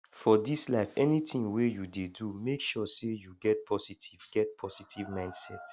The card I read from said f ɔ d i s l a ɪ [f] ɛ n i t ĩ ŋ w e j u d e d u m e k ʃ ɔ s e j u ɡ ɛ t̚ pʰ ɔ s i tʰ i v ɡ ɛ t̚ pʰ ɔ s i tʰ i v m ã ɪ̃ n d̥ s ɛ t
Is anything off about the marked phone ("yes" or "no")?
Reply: no